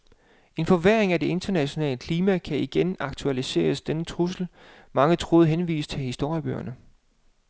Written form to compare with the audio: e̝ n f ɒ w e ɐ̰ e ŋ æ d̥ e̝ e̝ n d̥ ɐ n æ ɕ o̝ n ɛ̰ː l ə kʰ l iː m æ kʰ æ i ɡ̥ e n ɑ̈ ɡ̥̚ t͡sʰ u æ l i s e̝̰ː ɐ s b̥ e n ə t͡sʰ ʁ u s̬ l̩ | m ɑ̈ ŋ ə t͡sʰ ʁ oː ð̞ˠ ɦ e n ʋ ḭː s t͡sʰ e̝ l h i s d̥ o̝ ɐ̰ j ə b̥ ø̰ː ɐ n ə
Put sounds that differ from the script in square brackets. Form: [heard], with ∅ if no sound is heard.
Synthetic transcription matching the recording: e̝ n f ɒ [ʋ] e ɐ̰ e ŋ æ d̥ e̝ e̝ n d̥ ɐ n æ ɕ o̝ n ɛ̰ː l ə kʰ l iː m æ kʰ æ i ɡ̥ e n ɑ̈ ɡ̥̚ t͡sʰ u æ l i s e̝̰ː ɐ s [d̥] e n ə t͡sʰ ʁ u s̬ l̩ | m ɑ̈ ŋ ə t͡sʰ ʁ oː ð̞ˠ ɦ e n ʋ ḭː s t͡sʰ e̝ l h i s d̥ o̝ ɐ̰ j ə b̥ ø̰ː ɐ n ə